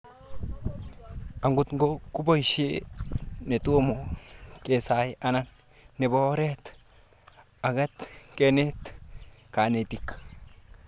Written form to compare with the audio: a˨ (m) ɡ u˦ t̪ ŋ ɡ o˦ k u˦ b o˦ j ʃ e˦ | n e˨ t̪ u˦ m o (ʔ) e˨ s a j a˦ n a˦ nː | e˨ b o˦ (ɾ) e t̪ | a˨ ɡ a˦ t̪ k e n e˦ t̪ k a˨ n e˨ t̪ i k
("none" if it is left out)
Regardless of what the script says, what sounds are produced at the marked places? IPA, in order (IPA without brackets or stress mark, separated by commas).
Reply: ŋ, k, ɾ